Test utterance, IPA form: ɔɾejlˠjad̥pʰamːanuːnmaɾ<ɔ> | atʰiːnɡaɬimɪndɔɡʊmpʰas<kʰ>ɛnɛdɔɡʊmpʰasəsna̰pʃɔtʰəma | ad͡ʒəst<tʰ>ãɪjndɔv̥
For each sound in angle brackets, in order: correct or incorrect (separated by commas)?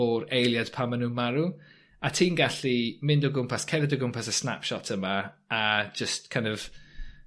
incorrect, correct, incorrect